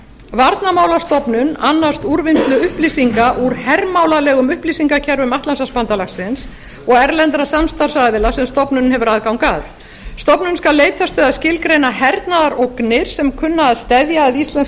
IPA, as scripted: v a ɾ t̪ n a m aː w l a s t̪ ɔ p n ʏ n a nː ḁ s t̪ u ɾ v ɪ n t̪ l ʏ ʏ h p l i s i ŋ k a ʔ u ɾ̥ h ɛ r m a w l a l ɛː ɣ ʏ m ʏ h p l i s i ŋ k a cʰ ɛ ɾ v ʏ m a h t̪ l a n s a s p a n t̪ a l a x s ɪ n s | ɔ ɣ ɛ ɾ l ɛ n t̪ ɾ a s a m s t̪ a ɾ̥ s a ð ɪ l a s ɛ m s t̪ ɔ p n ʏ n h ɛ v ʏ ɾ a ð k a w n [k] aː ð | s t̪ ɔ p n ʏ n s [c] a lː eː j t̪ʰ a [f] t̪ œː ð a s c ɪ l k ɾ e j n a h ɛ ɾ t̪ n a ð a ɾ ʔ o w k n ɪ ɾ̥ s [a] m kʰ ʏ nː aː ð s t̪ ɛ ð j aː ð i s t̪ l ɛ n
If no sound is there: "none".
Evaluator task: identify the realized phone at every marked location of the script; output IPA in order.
k, k, s, ɛ

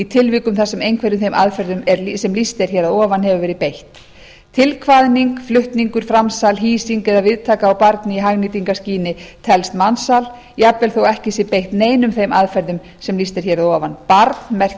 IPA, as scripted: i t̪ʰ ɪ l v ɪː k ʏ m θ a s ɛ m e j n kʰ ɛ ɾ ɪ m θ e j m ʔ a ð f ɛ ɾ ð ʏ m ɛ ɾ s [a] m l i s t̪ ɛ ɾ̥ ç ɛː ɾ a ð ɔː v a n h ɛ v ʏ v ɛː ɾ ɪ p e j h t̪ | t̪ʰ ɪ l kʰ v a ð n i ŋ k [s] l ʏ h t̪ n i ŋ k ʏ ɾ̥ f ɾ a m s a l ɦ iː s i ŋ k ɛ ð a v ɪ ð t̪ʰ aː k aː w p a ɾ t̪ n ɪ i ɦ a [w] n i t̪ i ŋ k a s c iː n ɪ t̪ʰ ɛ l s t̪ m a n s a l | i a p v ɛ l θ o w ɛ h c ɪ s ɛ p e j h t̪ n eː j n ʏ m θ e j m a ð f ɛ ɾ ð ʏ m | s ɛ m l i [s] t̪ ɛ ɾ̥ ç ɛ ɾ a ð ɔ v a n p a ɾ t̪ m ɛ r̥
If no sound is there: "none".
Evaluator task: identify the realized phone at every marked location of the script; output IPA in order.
ɛ, f, ɣ, s

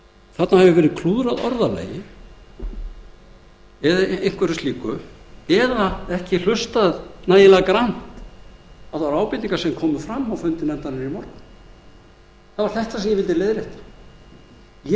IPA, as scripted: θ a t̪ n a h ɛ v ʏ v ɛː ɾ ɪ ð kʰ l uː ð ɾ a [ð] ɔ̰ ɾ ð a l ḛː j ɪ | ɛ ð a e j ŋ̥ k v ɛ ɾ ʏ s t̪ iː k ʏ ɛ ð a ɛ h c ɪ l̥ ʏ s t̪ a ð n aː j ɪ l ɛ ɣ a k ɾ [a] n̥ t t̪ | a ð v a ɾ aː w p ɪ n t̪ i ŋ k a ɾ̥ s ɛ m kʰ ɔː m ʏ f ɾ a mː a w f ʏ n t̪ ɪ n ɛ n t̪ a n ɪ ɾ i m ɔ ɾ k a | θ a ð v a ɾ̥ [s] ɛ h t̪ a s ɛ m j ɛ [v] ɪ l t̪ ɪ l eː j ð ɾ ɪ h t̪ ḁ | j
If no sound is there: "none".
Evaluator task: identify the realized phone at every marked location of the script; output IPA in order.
ð, a, θ, v

